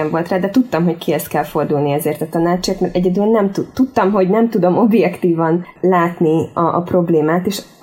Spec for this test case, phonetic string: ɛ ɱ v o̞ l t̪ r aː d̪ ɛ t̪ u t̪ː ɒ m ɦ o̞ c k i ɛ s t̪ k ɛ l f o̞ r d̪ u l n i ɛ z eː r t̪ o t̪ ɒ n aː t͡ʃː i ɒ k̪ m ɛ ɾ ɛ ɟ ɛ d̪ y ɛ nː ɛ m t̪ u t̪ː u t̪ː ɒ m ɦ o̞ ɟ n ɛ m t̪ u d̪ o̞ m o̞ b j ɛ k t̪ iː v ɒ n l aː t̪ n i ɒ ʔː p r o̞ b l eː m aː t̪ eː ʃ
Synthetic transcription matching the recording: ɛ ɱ v o̞ l t̪ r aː d̪ ɛ t̪ u t̪ː ɒ m ɦ o̞ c k i ɛ s t̪ k ɛ l f o̞ r d̪ u l n i ɛ z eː r t̪ ɒ t̪ ɒ n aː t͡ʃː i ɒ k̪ m ɛ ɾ ɛ ɟ ɛ d̪ y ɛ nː ɛ m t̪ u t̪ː u t̪ː ɒ m ɦ o̞ ɟ n ɛ m t̪ u d̪ o̞ m o̞ b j ɛ k t̪ iː v ɒ n l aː t̪ n i ɒ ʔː p r o̞ b l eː m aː t̪ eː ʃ